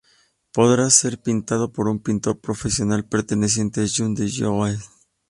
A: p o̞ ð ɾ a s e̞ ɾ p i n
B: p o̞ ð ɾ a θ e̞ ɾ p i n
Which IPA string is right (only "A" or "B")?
A